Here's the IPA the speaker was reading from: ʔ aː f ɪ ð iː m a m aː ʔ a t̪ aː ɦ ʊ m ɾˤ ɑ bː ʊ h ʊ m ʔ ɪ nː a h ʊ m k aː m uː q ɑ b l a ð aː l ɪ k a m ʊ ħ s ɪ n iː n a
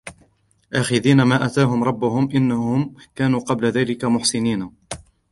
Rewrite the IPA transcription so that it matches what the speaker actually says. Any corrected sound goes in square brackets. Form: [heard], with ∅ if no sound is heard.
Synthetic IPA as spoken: ʔ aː [x] ɪ ð iː [n] a m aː ʔ a t̪ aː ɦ ʊ m ɾˤ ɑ bː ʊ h ʊ m ʔ ɪ nː a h ʊ m k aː [n] uː q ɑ b l a ð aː l ɪ k a m ʊ ħ s ɪ n iː n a